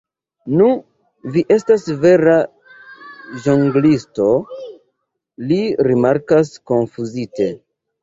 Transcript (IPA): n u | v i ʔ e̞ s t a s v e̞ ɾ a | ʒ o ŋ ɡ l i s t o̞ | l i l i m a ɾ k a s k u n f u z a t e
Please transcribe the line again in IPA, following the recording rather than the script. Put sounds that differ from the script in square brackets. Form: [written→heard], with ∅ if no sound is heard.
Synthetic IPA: n u | v i ʔ e̞ s t a s v e̞ ɾ a | ʒ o ŋ ɡ l i s t o̞ | l i [l→ɾ] i m a ɾ k a s k [u→o] n f u z [a→i] t e